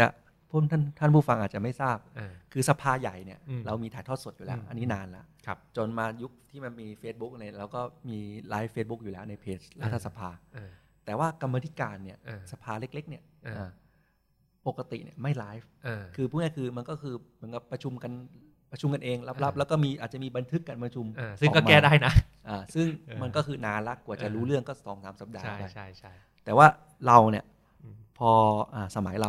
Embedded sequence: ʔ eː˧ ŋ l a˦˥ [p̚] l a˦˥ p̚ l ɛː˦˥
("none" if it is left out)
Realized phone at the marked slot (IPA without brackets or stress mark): p̚